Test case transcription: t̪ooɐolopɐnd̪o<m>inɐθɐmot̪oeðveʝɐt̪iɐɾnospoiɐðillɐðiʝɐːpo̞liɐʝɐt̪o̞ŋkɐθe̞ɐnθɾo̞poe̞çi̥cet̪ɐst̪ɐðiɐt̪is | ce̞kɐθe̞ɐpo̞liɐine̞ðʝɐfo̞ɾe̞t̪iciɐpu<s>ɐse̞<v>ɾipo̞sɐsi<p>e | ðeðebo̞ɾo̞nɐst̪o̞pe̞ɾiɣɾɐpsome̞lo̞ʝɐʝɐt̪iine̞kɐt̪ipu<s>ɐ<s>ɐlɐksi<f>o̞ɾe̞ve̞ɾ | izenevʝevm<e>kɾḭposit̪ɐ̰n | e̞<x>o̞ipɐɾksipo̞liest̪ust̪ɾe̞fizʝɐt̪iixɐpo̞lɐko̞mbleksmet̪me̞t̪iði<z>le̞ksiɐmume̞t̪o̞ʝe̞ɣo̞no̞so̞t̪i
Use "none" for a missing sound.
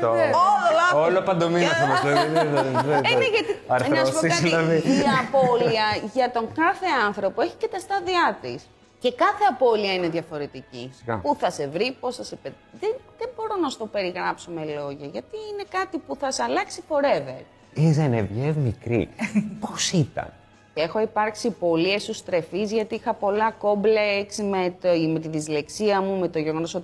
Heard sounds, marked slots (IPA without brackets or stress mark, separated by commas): m, θ, v, p, θ, s, f, i, x, z